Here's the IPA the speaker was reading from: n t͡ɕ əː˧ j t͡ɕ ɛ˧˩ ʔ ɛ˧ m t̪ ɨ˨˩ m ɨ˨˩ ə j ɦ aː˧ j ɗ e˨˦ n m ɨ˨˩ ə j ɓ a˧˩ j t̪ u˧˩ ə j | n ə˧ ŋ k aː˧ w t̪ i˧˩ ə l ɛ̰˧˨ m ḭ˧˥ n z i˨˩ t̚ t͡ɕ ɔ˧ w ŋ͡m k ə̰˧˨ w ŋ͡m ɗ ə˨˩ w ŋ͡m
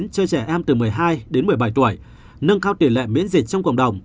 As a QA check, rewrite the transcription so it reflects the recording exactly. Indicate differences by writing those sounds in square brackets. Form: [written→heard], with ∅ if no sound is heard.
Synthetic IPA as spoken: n t͡ɕ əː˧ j t͡ɕ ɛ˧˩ ʔ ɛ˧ m t̪ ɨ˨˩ m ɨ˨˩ ə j ɦ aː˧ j ɗ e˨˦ n m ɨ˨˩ ə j ɓ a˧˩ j t̪ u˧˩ ə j | n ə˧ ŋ k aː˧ w t̪ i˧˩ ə l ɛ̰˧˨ m ḭ˧˥ n z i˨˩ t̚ t͡ɕ ɔ˧ w ŋ͡m k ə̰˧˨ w ŋ͡m ɗ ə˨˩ w ŋ͡m

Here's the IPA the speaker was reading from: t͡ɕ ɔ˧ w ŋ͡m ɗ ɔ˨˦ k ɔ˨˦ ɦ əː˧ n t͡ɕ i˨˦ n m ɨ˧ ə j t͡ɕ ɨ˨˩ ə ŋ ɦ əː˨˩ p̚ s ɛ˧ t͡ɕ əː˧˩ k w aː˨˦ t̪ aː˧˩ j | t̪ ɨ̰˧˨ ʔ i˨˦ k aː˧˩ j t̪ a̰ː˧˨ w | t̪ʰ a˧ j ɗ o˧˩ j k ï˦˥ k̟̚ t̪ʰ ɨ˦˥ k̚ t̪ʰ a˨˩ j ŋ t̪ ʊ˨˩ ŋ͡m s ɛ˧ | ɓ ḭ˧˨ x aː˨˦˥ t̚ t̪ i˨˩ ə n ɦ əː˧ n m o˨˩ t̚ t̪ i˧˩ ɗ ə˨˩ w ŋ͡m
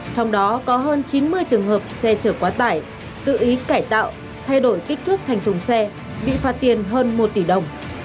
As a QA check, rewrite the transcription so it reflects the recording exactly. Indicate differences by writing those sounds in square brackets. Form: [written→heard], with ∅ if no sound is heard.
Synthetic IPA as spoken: t͡ɕ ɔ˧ w ŋ͡m ɗ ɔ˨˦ k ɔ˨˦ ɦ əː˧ n t͡ɕ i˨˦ n m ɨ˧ ə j t͡ɕ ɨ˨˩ ə ŋ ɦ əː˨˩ p̚ s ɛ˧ t͡ɕ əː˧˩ k w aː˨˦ t̪ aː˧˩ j | t̪ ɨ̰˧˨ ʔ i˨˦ k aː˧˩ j t̪ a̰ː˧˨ w | t̪ʰ a˧ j ɗ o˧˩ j k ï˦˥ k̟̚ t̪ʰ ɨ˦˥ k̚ t̪ʰ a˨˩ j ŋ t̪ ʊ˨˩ ŋ͡m s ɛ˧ | ɓ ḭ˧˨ [x→f] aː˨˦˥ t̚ t̪ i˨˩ ə n ɦ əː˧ n m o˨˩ t̚ t̪ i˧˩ ɗ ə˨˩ w ŋ͡m

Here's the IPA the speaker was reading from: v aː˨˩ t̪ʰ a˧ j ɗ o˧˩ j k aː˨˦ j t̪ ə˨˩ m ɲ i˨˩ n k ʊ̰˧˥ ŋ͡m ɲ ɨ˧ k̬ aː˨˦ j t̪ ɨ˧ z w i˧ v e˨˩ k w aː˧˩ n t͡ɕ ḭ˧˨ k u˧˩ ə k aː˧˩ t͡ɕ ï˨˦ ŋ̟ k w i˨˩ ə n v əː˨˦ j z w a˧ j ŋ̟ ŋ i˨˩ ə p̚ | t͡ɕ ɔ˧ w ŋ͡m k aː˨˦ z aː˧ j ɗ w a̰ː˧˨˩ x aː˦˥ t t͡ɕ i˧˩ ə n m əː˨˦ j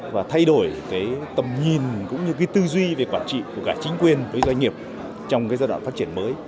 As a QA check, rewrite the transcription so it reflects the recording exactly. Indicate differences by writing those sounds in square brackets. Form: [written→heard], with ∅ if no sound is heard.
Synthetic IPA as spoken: v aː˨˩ t̪ʰ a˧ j ɗ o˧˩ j k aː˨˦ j t̪ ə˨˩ m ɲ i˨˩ n k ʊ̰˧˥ ŋ͡m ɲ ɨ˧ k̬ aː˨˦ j t̪ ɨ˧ z w i˧ v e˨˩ k w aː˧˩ n t͡ɕ ḭ˧˨ k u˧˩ ə k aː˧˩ t͡ɕ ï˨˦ ŋ̟ k w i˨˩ ə n v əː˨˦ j z w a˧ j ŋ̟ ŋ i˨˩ ə p̚ | t͡ɕ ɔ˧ w ŋ͡m k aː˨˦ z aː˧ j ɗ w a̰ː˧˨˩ [x→f] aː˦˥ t t͡ɕ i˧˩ ə n m əː˨˦ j

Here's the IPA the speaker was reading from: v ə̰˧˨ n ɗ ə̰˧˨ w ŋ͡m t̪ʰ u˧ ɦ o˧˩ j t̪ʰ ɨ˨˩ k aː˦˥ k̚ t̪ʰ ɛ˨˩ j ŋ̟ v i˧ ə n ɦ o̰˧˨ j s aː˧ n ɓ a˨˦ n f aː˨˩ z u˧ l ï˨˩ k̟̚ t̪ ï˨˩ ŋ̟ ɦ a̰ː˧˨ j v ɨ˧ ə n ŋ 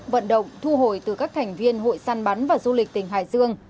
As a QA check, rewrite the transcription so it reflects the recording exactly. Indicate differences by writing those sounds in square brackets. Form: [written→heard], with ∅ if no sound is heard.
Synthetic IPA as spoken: v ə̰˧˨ n ɗ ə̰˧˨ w ŋ͡m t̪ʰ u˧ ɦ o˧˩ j [t̪ʰ→t̪] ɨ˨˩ k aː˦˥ k̚ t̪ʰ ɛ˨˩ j ŋ̟ v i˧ ə n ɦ o̰˧˨ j s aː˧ n ɓ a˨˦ n [f→v] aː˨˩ z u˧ l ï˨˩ k̟̚ t̪ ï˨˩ ŋ̟ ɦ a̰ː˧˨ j [v→z] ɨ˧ ə [n→∅] ŋ

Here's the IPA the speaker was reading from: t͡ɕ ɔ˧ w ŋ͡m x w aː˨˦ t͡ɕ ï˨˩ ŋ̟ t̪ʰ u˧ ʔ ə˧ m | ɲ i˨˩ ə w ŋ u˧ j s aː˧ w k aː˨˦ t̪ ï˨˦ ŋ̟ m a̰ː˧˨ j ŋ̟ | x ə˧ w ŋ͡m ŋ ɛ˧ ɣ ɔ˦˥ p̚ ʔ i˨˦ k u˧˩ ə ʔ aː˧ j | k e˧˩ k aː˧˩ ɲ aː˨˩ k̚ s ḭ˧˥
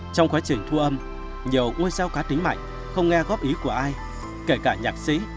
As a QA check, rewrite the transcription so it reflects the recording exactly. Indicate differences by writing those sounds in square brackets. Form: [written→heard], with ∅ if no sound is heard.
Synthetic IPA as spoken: t͡ɕ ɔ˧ w ŋ͡m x w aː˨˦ t͡ɕ ï˨˩ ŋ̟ t̪ʰ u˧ ʔ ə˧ m | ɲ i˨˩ ə w ŋ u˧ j s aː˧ w k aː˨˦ t̪ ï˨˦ ŋ̟ m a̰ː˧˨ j ŋ̟ | x ə˧ w ŋ͡m ŋ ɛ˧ ɣ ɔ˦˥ p̚ ʔ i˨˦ k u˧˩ ə ʔ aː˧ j | k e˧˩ k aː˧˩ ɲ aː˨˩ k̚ s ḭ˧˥

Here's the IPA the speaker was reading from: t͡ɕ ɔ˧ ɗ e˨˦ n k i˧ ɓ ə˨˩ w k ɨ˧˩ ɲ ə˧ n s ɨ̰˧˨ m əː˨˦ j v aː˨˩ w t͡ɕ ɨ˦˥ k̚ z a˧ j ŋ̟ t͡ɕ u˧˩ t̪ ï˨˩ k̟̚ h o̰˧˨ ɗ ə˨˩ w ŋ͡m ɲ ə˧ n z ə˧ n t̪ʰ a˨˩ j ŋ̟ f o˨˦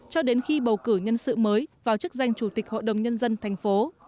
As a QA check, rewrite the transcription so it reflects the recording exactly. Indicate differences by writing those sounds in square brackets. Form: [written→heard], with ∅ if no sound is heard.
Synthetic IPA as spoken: t͡ɕ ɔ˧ ɗ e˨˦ n [k→x] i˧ ɓ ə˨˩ w k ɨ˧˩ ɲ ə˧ n s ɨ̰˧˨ m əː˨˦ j v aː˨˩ w t͡ɕ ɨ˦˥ k̚ z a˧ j ŋ̟ t͡ɕ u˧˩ t̪ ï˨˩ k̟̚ h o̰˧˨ ɗ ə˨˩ w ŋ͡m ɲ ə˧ n z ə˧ n t̪ʰ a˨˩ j ŋ̟ f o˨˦

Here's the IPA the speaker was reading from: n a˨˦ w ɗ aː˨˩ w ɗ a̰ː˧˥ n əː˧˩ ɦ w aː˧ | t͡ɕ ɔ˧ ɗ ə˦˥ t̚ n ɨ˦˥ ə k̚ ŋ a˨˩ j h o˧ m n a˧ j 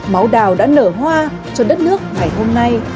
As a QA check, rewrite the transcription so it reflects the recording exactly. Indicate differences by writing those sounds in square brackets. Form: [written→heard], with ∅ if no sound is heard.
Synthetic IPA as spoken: [n→m] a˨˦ w ɗ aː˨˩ w ɗ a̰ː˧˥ n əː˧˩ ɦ w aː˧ | t͡ɕ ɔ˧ ɗ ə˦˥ t̚ n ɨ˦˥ ə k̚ ŋ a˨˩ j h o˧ m n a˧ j

